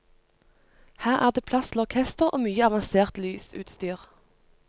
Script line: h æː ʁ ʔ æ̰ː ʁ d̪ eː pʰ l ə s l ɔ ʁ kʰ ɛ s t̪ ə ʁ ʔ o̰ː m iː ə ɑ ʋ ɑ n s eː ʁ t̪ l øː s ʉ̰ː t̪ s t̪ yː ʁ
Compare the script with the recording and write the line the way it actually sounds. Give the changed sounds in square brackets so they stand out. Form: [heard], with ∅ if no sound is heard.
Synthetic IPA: h æː ʁ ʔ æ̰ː ʁ d̪ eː pʰ l [ɑ] s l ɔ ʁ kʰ ɛ s t̪ ə ʁ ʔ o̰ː m [yː] ə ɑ ʋ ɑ n s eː ʁ t̪ l [yː] s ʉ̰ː t̪ s t̪ yː ʁ

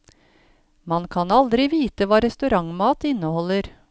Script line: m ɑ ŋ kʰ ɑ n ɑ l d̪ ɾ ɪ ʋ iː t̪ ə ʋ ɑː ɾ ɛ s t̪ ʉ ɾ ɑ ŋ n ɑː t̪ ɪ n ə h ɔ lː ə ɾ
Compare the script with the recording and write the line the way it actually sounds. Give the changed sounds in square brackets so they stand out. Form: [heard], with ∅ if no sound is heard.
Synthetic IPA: m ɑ [n] kʰ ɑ n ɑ l d̪ ɾ ɪ ʋ iː t̪ ə ʋ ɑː ɾ ɛ s t̪ ʉ ɾ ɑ ŋ [m] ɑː t̪ ɪ n ə h ɔ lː ə ɾ

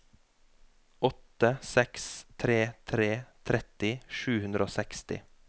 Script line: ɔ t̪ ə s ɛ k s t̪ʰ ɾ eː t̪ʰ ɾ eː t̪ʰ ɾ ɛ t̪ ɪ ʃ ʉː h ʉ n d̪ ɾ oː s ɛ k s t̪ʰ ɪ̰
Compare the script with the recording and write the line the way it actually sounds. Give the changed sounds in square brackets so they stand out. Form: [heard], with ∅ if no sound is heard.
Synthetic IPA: ɔ t̪ ə s ɛ k s t̪ʰ ɾ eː t̪ʰ ɾ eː t̪ʰ ɾ ɛ t̪ ɪ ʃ ʉː h ʉ n d̪ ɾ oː s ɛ k s [t̪] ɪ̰

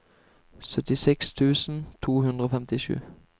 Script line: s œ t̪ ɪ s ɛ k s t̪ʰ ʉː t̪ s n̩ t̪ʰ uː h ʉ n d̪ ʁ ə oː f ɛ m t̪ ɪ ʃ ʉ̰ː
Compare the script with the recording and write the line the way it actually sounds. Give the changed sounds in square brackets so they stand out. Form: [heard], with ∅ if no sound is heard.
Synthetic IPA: s œ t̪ ɪ s ɛ k s t̪ʰ ʉː [∅] s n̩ t̪ʰ uː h ʉ n d̪ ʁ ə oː f ɛ m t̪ ɪ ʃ ʉ̰ː

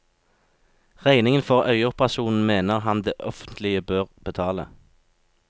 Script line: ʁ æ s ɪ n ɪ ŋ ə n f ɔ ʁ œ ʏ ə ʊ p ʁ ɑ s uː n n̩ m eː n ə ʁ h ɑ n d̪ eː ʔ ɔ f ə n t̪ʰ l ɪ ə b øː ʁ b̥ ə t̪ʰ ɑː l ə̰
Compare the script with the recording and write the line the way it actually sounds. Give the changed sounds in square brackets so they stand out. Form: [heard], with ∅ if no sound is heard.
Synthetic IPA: ʁ æ [∅] ɪ n ɪ ŋ ə n f ɔ ʁ œ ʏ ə ʊ p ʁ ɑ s uː n n̩ m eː n ə ʁ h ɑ n d̪ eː ʔ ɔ f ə n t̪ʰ l ɪ ə b øː ʁ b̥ ə t̪ʰ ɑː l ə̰

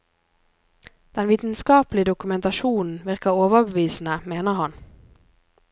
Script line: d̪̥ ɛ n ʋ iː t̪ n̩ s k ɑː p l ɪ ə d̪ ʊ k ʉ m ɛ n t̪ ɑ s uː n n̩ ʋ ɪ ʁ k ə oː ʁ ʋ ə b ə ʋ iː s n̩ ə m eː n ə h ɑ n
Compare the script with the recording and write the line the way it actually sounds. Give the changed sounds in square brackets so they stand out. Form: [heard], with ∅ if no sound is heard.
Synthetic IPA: d̪̥ ɛ n ʋ iː t̪ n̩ s k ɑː p l ɪ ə d̪ ʊ k ʉ m ɛ n t̪ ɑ [ʃ] uː n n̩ ʋ ɪ ʁ k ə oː [∅] ʋ ə b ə ʋ iː s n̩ ə m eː n ə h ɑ n

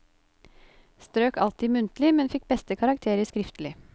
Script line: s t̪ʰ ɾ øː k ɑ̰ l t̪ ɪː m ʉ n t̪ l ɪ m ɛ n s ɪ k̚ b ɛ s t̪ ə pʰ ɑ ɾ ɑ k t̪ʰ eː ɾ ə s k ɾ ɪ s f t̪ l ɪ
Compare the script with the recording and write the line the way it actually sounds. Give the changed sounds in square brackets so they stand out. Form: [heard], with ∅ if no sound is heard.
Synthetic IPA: s [t̪] ɾ øː k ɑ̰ l t̪ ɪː m ʉ n t̪ l ɪ m ɛ n [f] ɪ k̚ b ɛ s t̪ ə [kʰ] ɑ ɾ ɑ k t̪ʰ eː ɾ ə s k ɾ ɪ [∅] f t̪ l ɪ

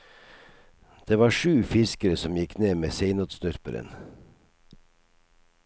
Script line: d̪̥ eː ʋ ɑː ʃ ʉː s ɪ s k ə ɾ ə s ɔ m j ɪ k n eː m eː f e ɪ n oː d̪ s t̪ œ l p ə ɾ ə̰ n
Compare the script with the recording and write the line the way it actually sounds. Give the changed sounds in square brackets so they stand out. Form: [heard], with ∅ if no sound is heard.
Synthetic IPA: d̪̥ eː ʋ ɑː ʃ ʉː [f] ɪ s k ə ɾ ə s ɔ m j ɪ k n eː m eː [s] e ɪ n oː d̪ s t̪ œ [ɾ] p ə ɾ ə̰ n

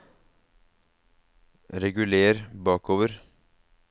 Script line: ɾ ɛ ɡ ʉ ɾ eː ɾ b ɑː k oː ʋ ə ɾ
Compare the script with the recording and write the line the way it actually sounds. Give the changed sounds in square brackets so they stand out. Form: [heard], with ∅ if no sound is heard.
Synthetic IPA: ɾ ɛ ɡ ʉ [l] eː ɾ b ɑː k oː ʋ ə ɾ

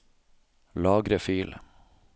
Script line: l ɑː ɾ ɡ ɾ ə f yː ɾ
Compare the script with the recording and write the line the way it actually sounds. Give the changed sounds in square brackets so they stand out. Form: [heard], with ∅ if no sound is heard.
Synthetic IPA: l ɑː [∅] ɡ ɾ ə f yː [l]

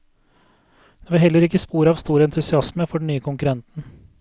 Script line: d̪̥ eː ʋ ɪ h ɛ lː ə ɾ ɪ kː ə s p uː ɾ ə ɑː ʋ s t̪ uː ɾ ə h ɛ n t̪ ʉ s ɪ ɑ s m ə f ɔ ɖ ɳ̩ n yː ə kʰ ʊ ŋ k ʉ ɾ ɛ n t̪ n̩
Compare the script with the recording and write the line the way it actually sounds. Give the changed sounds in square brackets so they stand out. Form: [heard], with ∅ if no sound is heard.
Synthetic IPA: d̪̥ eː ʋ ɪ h ɛ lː ə ɾ ɪ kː ə s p uː ɾ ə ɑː ʋ s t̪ uː ɾ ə [∅] ɛ n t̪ ʉ s ɪ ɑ s m ə f ɔ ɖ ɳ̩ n yː ə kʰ ʊ ŋ k ʉ ɾ ɛ n t̪ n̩

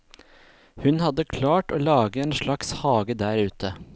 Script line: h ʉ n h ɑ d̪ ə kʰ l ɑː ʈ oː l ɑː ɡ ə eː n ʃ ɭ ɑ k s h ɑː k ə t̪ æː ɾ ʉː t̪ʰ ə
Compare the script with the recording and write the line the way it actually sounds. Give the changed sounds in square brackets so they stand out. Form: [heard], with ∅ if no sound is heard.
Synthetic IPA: h ʉ n h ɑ d̪ ə kʰ l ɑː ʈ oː l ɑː ɡ ə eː n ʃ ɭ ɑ k s h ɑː [ɡ] ə [d̪] æː ɾ ʉː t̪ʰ ə

